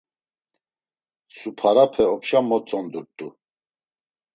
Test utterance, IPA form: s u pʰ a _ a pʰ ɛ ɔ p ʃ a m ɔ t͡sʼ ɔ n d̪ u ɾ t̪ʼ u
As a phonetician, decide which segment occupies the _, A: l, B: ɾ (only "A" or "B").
B